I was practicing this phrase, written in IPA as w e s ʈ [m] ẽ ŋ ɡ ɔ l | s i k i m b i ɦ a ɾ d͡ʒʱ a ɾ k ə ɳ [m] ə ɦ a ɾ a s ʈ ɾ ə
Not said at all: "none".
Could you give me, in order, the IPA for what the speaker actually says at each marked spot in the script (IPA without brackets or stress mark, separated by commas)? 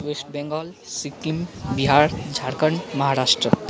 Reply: b, m